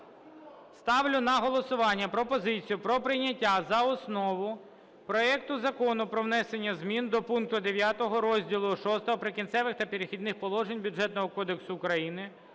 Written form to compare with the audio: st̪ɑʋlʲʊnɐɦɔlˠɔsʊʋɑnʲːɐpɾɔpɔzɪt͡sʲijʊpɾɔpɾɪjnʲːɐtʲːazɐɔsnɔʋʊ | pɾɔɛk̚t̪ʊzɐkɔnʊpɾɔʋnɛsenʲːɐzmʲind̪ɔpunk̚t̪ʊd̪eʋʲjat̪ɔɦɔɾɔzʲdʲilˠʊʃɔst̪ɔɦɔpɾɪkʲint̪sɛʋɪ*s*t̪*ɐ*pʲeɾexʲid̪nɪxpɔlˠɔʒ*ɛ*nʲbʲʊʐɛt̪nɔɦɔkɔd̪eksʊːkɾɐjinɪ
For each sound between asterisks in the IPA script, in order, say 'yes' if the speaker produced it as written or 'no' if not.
no, yes, no

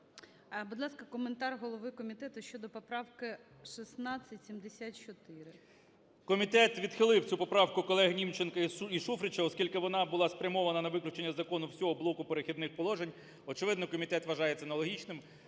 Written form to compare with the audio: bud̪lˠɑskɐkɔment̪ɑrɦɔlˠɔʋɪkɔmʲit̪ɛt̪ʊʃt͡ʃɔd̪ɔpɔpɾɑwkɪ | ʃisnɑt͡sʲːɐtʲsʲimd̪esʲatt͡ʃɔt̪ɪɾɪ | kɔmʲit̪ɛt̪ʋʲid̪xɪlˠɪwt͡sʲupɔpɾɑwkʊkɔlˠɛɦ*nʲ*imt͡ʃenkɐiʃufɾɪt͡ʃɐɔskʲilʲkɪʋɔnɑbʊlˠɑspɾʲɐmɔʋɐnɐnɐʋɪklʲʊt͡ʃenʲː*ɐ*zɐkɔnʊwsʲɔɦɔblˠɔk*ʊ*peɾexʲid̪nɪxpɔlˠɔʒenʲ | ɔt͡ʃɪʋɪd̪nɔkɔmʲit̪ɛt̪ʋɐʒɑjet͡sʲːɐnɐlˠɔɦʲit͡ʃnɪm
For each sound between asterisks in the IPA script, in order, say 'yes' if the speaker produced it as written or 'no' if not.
yes, yes, yes

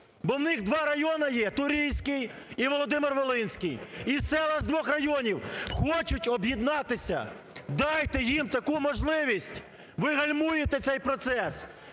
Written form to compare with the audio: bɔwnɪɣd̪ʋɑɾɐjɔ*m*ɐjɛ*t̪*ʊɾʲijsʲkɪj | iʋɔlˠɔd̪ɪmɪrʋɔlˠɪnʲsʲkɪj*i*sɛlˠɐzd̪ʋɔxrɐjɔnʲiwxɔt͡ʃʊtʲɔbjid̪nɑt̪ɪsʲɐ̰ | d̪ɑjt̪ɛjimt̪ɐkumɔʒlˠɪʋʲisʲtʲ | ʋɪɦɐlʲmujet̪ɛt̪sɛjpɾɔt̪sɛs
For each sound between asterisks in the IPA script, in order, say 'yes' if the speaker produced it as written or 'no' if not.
no, yes, yes

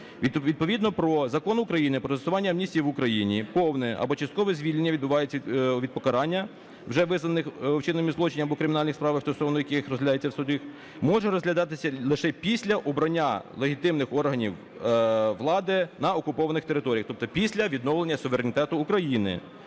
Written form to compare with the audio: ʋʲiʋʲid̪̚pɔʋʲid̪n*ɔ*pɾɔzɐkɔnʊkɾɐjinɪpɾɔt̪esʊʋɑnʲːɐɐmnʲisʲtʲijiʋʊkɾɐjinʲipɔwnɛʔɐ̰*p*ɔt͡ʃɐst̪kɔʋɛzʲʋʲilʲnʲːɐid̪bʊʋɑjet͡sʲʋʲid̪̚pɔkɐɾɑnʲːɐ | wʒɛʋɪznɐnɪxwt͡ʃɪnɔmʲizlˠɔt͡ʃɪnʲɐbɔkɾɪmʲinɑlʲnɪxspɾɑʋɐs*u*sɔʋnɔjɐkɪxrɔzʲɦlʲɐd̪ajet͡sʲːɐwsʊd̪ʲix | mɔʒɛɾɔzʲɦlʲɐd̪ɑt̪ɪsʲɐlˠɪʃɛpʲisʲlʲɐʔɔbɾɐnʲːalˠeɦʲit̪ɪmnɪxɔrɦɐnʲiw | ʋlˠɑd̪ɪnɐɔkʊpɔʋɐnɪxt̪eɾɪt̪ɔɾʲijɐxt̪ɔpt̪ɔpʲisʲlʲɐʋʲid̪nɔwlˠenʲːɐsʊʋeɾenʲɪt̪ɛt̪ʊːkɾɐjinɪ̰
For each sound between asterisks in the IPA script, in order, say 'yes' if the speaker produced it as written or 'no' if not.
yes, no, no

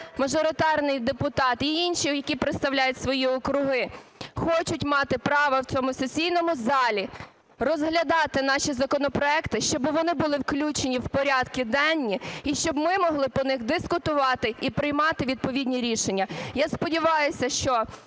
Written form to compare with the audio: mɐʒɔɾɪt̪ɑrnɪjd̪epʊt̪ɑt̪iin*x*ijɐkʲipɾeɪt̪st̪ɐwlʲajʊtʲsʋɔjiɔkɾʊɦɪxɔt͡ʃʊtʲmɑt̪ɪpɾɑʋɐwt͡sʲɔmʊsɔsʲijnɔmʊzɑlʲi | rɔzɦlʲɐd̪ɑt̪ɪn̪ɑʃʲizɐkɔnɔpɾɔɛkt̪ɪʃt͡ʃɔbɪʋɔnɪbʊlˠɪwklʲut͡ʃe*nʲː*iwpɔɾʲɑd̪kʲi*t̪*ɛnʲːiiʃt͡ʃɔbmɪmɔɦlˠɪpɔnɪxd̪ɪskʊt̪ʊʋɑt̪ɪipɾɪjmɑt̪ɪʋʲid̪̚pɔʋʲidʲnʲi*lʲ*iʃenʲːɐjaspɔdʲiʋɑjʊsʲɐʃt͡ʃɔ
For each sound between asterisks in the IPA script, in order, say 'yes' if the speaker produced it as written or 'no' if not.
no, no, no, no

